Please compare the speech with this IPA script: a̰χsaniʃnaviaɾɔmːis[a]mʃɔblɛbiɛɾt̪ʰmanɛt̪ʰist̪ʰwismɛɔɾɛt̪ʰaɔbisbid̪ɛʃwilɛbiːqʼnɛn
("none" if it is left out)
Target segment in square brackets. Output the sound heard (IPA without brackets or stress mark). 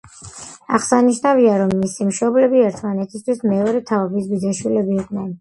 i